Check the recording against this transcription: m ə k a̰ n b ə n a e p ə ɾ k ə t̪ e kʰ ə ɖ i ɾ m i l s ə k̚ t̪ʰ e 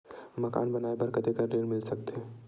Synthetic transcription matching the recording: m ə k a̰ n b ə n a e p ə ɾ k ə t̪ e k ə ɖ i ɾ m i l s ə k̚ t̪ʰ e